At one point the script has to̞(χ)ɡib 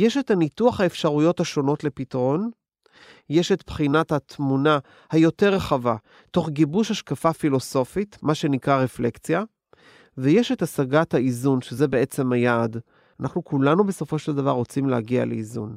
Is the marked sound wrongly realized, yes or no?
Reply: no